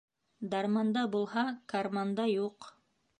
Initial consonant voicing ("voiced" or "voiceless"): voiced